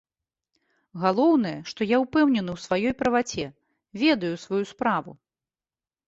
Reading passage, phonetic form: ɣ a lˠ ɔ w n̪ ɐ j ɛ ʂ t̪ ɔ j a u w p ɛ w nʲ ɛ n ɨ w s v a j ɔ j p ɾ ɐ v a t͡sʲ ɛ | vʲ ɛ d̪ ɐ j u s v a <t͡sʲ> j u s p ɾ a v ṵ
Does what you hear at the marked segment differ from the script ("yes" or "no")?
yes